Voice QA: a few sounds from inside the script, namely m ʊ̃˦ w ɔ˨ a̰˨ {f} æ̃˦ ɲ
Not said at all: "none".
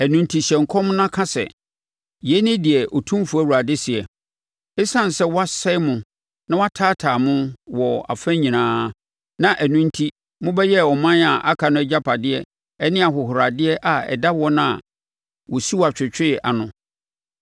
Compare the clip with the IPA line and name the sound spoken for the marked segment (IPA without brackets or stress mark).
f